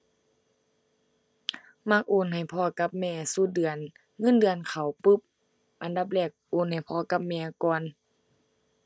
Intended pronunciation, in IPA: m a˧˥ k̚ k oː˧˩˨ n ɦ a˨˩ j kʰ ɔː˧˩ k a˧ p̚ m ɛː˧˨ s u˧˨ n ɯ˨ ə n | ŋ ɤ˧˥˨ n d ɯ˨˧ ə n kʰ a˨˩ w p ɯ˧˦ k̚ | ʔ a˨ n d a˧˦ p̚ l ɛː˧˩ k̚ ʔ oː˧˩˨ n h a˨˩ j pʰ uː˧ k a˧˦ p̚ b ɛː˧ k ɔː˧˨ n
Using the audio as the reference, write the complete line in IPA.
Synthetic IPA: m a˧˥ k̚ ʔ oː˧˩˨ n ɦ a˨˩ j pʰ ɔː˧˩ k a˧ p̚ m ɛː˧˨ s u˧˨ d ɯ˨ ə n | ŋ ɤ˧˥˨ n d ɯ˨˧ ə n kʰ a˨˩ w p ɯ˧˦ p̚ | ʔ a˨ n d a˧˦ p̚ l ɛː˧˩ k̚ ʔ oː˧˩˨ n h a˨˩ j pʰ ɔː˧ k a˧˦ p̚ m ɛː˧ k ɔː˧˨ n